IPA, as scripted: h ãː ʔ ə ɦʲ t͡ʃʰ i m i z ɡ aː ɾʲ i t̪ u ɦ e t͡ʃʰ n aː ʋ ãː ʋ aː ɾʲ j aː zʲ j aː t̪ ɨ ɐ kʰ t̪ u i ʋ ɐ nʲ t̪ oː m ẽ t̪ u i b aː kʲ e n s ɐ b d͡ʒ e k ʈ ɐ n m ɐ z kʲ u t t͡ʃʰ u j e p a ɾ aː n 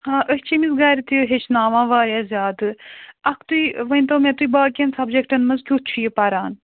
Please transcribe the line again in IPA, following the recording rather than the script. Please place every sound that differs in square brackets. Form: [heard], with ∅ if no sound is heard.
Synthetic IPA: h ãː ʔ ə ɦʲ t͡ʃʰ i m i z ɡ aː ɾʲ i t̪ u ɦ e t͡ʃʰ n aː ʋ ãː ʋ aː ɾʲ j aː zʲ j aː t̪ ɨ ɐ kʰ t̪ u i ʋ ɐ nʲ t̪ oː m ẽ t̪ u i b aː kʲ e n s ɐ b d͡ʒ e k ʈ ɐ n m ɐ z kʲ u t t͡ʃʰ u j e p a ɾ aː n